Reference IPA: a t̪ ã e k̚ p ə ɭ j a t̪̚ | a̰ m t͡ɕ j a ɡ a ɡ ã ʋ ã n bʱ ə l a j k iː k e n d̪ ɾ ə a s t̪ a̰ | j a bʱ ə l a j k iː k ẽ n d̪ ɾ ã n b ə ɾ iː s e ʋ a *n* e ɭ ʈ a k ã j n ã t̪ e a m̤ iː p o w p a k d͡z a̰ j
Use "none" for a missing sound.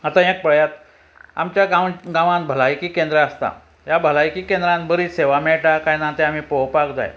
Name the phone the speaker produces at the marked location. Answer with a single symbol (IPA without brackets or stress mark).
m